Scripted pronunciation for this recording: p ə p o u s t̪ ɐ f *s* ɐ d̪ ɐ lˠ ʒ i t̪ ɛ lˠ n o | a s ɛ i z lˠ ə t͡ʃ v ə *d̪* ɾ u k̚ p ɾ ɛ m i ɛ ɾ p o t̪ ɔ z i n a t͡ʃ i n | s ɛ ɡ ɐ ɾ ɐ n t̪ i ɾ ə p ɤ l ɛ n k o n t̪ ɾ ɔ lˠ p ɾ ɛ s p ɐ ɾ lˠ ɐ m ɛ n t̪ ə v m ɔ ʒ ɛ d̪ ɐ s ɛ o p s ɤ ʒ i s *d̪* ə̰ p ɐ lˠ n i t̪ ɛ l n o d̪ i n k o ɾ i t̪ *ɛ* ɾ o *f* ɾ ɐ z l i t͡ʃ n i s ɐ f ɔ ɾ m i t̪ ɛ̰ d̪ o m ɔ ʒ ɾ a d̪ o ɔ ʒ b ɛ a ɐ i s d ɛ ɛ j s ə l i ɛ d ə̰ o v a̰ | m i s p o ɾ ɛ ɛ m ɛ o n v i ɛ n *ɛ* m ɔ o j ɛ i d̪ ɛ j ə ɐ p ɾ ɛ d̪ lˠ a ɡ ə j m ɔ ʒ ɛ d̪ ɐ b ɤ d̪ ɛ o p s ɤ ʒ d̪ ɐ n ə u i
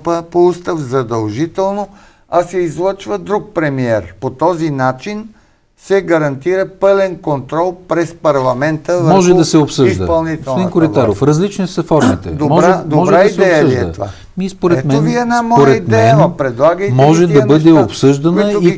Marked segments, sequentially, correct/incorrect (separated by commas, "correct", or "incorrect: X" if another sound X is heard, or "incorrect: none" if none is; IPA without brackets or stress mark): incorrect: z, correct, correct, incorrect: a, correct, incorrect: a